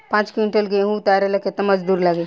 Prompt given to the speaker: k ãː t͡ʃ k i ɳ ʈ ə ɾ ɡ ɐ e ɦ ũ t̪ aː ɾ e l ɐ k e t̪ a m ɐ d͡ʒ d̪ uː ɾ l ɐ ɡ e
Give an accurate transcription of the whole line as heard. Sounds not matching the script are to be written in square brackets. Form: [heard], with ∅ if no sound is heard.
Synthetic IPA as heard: [p] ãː t͡ʃ k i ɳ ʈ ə [l] ɡ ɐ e ɦ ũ t̪ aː ɾ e l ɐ k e t̪ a m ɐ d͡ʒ d̪ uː ɾ l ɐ ɡ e